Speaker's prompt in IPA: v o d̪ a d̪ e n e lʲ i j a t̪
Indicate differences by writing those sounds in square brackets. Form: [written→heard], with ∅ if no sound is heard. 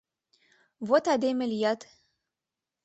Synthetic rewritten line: v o [d̪→t̪] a d̪ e [n→m] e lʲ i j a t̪

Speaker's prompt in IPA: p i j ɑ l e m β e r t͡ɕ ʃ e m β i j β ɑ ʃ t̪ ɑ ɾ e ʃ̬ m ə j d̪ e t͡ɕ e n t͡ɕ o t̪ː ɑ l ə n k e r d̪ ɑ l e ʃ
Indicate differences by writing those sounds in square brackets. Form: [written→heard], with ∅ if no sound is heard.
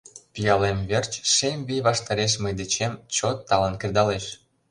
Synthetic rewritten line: p i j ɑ l e m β e r t͡ɕ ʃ e m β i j β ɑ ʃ t̪ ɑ ɾ e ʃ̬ m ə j d̪ e t͡ɕ e [n→m] t͡ɕ o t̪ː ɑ l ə n k e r d̪ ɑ l e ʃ

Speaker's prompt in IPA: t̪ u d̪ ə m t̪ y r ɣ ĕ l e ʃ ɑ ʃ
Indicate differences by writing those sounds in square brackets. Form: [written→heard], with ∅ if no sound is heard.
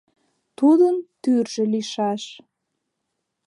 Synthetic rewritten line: t̪ u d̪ ə [m→n] t̪ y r [ɣ→ʒ] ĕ l [e→i] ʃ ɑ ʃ

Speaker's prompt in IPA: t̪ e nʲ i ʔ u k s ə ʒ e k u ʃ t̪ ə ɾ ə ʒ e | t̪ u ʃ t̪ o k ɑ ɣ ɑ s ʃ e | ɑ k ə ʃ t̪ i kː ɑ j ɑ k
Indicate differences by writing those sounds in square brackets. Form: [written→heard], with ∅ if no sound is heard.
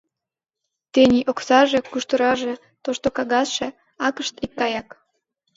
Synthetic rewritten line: t̪ e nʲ i ʔ [u→o] k s [ə→ɑ] ʒ e k u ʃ t̪ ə ɾ [ə→ɑ] ʒ e | t̪ [u→o] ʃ t̪ o k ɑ ɣ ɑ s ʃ e | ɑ k ə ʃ t̪ i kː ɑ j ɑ k

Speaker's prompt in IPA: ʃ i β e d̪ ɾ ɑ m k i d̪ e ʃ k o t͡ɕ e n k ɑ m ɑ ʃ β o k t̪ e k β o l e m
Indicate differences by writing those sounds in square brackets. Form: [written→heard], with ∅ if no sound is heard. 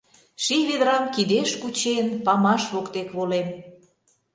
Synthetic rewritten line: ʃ i β e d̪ ɾ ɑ m k i d̪ e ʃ k [o→u] t͡ɕ e n [k→p] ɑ m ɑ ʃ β o k t̪ e k β o l e m

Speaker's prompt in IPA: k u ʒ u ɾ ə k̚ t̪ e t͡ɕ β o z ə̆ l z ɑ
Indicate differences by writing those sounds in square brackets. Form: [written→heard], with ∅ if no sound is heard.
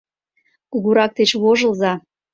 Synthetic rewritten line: k u [ʒ→ɣ] u ɾ [ə→ɑ] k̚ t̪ e t͡ɕ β o [z→ʒ] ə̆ l z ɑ

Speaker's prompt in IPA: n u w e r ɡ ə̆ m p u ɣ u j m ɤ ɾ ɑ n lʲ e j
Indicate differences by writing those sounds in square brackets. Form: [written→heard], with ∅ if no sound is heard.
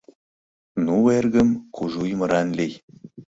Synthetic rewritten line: n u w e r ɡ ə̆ m [p→k] u [ɣ→ʒ] u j m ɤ ɾ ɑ n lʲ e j

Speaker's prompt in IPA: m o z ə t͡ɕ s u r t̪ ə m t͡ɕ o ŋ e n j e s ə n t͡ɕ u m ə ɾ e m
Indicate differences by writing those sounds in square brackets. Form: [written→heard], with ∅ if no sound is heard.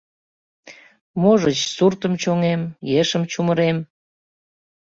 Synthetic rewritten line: m o [z→ʒ] ə t͡ɕ s u r t̪ ə m t͡ɕ o ŋ e [n→m] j e [s→ʃ] ə [n→m] t͡ɕ u m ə ɾ e m

